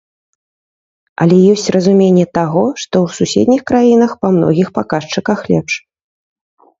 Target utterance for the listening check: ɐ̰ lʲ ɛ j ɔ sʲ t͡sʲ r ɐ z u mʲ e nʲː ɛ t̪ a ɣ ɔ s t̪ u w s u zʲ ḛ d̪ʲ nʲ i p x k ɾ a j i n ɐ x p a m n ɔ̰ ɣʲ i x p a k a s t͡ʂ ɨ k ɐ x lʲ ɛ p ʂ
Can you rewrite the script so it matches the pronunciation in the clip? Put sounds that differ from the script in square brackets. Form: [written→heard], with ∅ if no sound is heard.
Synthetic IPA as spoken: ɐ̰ lʲ ɛ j ɔ sʲ t͡sʲ r ɐ z u mʲ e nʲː ɛ t̪ a ɣ ɔ [s→ʂ] t̪ [u→ɔ] w s u [zʲ→sʲ] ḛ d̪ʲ nʲ i [p→∅] x k ɾ a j i n ɐ x p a m n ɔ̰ ɣʲ i x p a k a [s→ʂ] t͡ʂ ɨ k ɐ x lʲ ɛ p ʂ